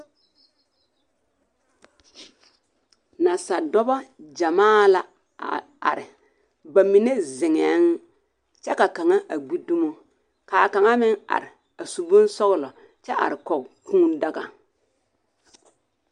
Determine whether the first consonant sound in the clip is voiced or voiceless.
voiced